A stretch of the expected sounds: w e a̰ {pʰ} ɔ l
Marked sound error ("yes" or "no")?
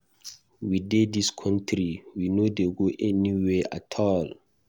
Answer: yes